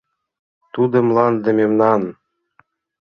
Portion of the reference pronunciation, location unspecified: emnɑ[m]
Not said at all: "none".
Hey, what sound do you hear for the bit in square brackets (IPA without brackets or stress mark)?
n